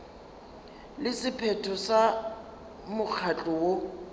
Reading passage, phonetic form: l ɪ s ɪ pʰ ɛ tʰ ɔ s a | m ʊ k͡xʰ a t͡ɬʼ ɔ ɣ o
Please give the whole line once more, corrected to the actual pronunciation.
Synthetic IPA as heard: l ɪ s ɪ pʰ ɛ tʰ ɔ s a | m ʊ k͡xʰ a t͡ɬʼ ɔ w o